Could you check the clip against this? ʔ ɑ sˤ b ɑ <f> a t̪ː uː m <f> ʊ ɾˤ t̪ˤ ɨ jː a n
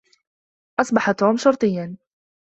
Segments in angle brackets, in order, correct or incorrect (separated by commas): incorrect, incorrect